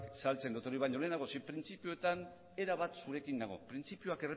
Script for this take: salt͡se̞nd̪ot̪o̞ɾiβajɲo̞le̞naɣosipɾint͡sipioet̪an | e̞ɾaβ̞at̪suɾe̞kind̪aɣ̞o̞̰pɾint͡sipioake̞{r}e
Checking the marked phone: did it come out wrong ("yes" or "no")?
no